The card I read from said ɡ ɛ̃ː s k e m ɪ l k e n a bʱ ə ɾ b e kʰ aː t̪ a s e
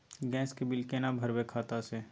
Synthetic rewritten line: ɡ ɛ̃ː s k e b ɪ l k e n a bʱ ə ɾ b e kʰ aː t̪ a s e